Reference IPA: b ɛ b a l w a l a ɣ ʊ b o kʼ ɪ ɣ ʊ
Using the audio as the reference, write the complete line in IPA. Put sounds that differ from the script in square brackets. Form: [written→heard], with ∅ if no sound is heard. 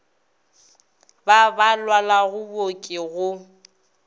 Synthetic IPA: b [ɛ→a] b a l w a l a ɣ ʊ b o kʼ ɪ ɣ ʊ